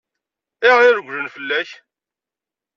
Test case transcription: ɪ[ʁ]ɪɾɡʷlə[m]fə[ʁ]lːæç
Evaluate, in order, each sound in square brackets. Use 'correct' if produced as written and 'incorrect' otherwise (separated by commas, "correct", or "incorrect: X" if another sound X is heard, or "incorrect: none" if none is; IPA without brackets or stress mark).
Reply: correct, incorrect: n, incorrect: none